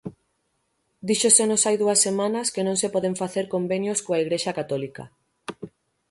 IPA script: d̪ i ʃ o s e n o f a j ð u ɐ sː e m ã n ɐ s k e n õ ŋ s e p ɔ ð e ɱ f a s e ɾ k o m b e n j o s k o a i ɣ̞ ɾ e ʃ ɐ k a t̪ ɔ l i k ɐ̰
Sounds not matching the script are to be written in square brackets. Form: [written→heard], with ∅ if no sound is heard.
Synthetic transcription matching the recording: d̪ i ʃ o s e n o [f→s] a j ð u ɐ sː e m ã n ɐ s k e n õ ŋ s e p ɔ ð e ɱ f a [s→θ] e ɾ k o m b e n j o s k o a i ɣ̞ ɾ e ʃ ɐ k a t̪ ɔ l i k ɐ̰